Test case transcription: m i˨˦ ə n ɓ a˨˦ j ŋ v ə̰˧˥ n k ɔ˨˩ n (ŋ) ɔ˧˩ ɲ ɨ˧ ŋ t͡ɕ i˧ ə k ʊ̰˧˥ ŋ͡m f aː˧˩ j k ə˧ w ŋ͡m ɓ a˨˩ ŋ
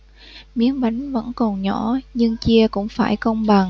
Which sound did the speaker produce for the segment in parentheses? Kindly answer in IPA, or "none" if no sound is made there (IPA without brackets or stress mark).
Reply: ɲ